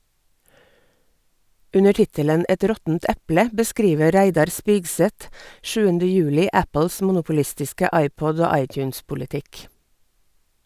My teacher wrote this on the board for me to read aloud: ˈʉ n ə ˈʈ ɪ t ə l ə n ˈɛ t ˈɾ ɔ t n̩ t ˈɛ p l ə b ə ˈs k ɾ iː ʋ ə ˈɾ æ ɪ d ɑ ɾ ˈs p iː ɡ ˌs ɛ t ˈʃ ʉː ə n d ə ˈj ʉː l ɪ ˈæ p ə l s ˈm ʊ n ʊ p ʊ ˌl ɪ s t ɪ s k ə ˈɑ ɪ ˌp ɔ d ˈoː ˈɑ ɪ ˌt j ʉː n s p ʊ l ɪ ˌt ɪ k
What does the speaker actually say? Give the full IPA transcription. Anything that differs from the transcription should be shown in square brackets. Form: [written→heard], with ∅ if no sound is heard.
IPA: ˈʉ n ə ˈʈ ɪ t ə l ə n ˈɛ t ˈɾ ɔ t n̩ t ˈɛ p l ə b ə ˈs k ɾ iː ʋ ə ˈɾ æ ɪ d ɑ ɾ ˈs p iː ɡ ˌs ɛ t ˈʃ ʉː ə n d ə ˈj ʉː l ɪ ˈæ p ə l s ˈm ʊ n ʊ p ʊ ˌl ɪ s t ɪ s k ə ˈɑ ɪ ˌp ɔ d ˈoː ˈɑ ɪ ˌt j ʉː n s p ʊ l ɪ ˌt ɪ k